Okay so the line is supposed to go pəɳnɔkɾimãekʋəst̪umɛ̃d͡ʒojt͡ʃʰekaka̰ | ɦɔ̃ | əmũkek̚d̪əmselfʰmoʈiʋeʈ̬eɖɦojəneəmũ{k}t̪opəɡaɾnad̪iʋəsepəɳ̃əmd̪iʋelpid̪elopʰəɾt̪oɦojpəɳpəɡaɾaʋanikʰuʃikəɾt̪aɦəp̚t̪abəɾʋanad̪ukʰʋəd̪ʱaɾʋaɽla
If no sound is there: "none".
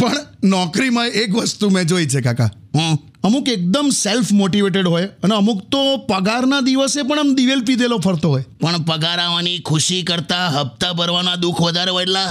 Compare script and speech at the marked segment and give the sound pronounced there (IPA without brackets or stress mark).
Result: k